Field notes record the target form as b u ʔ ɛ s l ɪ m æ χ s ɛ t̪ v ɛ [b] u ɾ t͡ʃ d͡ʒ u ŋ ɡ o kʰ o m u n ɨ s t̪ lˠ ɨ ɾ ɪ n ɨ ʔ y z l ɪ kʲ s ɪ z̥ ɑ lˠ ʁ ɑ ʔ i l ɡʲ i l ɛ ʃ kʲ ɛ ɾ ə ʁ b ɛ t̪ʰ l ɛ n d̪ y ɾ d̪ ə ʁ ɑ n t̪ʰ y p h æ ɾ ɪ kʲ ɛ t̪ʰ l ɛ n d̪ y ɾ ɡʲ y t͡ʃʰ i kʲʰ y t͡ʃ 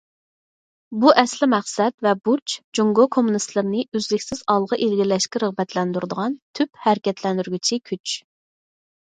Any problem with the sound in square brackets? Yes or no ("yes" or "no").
no